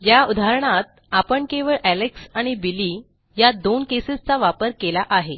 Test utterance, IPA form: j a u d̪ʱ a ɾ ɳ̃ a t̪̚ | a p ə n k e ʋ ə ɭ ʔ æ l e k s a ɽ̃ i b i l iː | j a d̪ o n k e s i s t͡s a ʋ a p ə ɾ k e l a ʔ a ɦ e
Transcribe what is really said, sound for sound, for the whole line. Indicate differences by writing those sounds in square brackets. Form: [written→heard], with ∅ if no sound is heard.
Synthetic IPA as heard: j a u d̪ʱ a ɾ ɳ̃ a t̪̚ | a p ə [n→ɳ] k e ʋ ə ɭ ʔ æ l e k s a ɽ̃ i b i l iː | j a d̪ o n k e s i s t͡s a ʋ a p ə ɾ k e l a ʔ a ɦ e

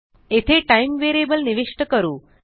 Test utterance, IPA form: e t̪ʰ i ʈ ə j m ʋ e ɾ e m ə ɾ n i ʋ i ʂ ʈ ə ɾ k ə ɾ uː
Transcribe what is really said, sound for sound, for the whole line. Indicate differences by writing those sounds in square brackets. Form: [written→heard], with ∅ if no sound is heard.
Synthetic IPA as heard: e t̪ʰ [i→e] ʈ [ə→a] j m ʋ e ɾ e [m→b] ə [ɾ→l] n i ʋ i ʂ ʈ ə [ɾ→∅] k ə ɾ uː

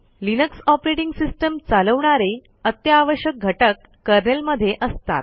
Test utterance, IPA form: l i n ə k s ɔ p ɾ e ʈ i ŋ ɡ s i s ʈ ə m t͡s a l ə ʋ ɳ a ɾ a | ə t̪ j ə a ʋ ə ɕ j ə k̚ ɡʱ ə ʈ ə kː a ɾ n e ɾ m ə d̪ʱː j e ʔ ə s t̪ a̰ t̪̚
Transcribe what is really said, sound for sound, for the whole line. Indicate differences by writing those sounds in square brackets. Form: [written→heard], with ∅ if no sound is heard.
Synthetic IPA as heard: l i n ə k s ɔ p ɾ e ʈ i ŋ ɡ s i s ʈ ə m t͡s a l ə ʋ ɳ a ɾ [a→e] | ə t̪ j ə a ʋ ə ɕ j ə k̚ ɡʱ ə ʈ ə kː [a→ə] ɾ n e [ɾ→l] m ə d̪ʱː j e ʔ ə s t̪ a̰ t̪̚

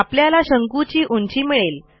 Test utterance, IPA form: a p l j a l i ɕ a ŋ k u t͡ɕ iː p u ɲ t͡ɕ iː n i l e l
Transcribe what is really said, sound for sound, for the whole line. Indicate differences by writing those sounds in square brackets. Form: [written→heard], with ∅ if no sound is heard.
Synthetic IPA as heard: a p l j a l [i→a] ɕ [a→ə] ŋ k u t͡ɕ iː [p→ʔ] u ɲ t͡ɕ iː [n→m] i [l→ɭ] e l

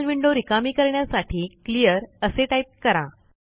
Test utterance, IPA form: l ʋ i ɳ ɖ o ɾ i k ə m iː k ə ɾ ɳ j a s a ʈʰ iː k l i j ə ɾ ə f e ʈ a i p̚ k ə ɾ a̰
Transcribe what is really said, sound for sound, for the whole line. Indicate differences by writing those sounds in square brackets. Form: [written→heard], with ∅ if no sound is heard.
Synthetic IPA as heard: l ʋ i ɳ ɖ o ɾ i k [ə→a] m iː k ə ɾ ɳ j a s a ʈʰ iː k l i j ə ɾ ə [f→s] e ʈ a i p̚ k ə ɾ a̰

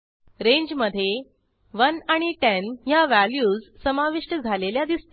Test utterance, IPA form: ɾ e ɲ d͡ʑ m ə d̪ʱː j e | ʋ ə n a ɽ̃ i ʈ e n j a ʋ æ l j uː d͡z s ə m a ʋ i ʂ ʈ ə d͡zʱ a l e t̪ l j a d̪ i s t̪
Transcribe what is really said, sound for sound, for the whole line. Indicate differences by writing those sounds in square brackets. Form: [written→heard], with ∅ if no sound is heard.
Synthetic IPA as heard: ɾ e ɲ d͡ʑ m ə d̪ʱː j e | ʋ ə n a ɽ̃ i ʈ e n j a ʋ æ l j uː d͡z s ə m a ʋ i ʂ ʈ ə d͡zʱ a l e [t̪→∅] l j a d̪ i s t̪

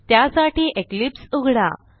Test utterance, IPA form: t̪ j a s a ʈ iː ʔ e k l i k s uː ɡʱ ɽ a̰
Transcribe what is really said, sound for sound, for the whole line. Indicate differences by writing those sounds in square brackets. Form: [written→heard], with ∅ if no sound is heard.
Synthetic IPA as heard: t̪ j a s a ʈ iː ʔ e k l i [k→p] s [uː→u] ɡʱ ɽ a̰

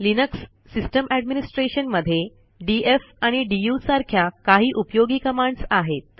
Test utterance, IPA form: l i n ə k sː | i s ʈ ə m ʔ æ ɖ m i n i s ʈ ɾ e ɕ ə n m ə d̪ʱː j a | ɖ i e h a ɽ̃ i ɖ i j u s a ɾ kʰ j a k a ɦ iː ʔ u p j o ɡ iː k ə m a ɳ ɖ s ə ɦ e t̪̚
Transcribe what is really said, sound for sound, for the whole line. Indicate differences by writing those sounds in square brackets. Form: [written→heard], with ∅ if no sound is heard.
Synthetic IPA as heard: l i n ə k sː | i s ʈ ə m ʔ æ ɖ m i n i s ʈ ɾ e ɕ ə n m ə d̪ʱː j [a→e] | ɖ i e [h→f] a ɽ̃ i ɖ i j u s a ɾ kʰ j a k a ɦ iː ʔ u p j o ɡ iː k ə m a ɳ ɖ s [ə→a] ɦ e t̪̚

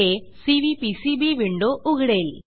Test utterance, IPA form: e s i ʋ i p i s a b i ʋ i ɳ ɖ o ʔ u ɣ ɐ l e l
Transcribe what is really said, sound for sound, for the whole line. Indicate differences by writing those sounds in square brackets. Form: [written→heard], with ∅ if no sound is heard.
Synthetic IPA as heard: e s i ʋ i p i s [a→i] b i ʋ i ɳ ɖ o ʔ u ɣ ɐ [l→ɽ] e l

